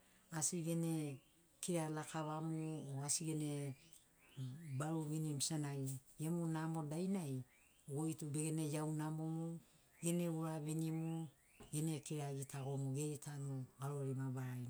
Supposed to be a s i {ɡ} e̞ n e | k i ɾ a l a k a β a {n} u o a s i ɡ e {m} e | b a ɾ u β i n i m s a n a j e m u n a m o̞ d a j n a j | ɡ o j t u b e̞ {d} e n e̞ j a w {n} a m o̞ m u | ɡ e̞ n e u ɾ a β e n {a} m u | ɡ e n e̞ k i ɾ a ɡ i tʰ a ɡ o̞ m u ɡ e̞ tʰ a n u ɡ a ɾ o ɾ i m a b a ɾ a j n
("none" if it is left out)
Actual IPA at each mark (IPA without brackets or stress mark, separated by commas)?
ɡ, m, n, ɡ, n, i